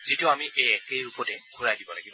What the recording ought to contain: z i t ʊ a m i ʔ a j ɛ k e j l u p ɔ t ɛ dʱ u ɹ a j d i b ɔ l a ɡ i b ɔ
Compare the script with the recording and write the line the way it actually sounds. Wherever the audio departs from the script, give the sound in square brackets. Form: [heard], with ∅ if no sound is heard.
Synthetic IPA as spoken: z i t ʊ a m i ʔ [e] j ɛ k e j [ɹ] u p ɔ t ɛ [ɡʱ] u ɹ a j d i b ɔ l a ɡ i b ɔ